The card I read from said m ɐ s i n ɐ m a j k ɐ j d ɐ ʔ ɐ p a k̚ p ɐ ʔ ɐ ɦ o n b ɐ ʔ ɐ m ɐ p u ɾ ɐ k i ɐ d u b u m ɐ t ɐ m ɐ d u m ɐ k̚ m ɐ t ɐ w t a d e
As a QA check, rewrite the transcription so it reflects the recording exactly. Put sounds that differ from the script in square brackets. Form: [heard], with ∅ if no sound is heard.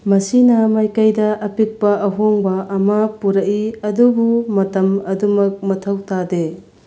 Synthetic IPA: m ɐ s i n ɐ m a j k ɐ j d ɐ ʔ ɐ p [i] k̚ p ɐ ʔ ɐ ɦ o [ŋ] b ɐ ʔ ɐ m ɐ p u ɾ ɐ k i ɐ d u b u m ɐ t ɐ m ɐ d u m ɐ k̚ m ɐ [tʰ] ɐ w t a d e